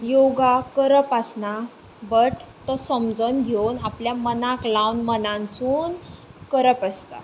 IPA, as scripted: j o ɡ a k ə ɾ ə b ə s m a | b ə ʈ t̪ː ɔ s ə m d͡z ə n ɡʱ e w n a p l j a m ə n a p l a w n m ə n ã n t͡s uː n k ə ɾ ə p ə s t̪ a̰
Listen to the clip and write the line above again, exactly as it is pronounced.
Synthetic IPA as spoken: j o ɡ a k ə ɾ ə p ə s n a | b ə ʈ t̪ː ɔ s ə m d͡z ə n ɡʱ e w n a p l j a m ə n a k l a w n m ə n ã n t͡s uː n k ə ɾ ə p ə s t̪ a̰